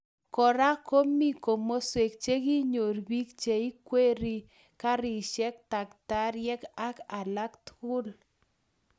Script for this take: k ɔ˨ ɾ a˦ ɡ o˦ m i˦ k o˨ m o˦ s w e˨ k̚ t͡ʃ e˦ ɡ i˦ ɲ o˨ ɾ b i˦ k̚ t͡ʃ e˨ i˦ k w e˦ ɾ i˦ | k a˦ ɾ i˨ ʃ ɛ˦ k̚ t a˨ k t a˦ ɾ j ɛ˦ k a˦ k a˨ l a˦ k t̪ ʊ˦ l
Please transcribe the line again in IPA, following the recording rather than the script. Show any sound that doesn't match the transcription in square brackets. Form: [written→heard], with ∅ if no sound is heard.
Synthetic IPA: k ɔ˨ ɾ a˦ [ɡ→k] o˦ m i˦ k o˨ m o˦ s w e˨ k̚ t͡ʃ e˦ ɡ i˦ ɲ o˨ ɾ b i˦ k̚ t͡ʃ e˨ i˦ k w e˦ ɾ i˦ | k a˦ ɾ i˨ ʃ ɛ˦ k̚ t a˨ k t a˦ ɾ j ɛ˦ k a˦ k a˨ l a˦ k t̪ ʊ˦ l